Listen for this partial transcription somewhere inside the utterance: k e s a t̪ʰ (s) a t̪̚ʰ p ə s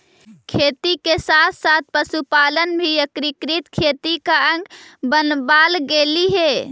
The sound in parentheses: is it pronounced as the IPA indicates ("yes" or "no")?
yes